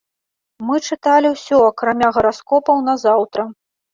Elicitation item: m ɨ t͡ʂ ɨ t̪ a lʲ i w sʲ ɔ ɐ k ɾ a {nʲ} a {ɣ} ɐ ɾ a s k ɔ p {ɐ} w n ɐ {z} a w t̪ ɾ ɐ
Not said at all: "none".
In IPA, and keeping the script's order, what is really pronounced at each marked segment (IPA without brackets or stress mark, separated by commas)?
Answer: mʲ, ɣ, ɐ, z